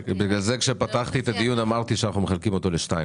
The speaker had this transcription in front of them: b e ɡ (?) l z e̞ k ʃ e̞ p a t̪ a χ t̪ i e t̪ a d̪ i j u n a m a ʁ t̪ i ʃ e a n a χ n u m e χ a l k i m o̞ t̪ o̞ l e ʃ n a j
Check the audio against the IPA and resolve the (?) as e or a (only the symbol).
a